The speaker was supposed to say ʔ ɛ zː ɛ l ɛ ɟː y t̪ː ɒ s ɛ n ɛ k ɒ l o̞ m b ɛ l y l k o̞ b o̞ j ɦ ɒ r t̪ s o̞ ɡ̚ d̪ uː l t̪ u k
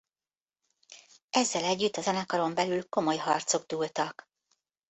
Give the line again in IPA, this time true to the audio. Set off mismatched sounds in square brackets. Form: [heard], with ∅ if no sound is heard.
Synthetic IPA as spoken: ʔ ɛ zː ɛ l ɛ ɟː y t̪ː ɒ [z] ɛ n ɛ k ɒ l o̞ m b ɛ l y l k o̞ [m] o̞ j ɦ ɒ r t̪ s o̞ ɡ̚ d̪ uː l t̪ [ɒ] k